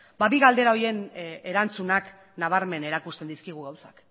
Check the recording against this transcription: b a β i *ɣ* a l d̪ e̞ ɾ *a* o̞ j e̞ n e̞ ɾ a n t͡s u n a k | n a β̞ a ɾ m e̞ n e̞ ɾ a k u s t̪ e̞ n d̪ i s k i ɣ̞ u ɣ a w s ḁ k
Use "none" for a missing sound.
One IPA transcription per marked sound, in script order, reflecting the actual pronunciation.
ɣ, a

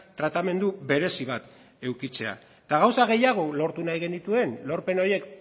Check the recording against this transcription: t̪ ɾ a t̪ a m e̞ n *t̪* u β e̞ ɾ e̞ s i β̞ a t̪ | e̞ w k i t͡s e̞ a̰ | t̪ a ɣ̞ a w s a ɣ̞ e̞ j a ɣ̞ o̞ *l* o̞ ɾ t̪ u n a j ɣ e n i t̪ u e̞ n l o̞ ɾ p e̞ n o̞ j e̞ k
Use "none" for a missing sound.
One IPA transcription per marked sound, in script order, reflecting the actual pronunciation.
d̪, l

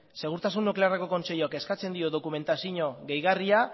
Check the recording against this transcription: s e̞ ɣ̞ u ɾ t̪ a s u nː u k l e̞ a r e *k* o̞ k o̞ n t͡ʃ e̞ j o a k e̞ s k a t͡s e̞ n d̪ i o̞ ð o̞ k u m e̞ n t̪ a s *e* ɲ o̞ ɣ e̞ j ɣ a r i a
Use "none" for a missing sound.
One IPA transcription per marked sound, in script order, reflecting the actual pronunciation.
k, i

